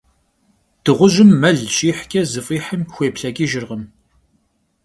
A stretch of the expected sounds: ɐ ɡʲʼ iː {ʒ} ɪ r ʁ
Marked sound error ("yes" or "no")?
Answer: no